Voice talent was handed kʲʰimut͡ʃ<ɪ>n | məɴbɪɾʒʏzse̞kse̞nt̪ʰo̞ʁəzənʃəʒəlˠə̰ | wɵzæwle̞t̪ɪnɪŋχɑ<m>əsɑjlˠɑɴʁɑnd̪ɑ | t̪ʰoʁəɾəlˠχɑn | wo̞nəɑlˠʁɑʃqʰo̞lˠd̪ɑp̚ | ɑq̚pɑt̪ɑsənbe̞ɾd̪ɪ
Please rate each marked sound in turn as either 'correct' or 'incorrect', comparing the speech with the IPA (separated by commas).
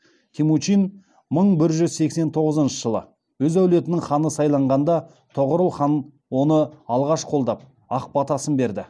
incorrect, incorrect